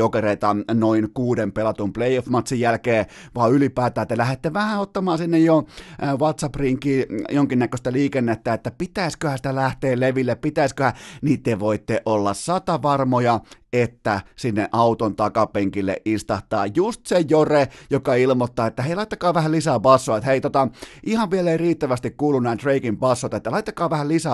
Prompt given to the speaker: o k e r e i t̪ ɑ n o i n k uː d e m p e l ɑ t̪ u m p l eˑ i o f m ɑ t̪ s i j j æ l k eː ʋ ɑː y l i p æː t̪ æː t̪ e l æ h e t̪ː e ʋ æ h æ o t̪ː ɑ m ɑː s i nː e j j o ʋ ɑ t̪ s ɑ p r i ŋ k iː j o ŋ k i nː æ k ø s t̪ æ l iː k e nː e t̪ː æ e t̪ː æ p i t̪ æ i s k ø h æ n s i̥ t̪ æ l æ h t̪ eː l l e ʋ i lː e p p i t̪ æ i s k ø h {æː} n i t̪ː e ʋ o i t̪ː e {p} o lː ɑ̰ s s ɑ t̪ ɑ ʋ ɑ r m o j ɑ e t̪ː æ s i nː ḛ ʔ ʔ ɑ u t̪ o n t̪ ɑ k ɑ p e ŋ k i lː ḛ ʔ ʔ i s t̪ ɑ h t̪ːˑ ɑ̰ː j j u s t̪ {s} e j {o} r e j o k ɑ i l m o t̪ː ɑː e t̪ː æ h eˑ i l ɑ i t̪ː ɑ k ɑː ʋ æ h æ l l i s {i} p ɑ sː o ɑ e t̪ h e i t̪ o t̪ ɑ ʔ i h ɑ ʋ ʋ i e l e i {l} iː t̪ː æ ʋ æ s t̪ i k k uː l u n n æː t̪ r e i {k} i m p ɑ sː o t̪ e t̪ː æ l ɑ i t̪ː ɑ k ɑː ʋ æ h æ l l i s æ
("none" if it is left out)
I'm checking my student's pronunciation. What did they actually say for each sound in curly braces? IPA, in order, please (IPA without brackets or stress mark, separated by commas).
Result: æ, ʔ, s, o, æ, r, k